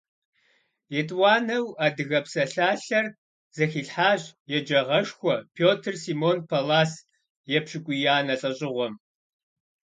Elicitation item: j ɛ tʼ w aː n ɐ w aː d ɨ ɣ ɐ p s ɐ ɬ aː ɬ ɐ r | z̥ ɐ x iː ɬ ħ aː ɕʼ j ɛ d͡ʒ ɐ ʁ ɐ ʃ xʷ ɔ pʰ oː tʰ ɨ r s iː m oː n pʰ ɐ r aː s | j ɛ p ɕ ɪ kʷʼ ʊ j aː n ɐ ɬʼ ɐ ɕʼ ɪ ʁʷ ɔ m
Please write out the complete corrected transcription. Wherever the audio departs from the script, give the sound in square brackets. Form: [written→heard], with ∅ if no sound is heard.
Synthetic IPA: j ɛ tʼ w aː n ɐ w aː d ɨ ɣ ɐ p s ɐ ɬ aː ɬ ɐ r | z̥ ɐ x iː ɬ ħ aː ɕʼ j ɛ d͡ʒ ɐ ʁ ɐ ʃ xʷ ɔ pʰ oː tʰ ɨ r s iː m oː n pʰ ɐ [r→l] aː s | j ɛ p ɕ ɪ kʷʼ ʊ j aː n ɐ ɬʼ ɐ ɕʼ ɪ ʁʷ ɔ m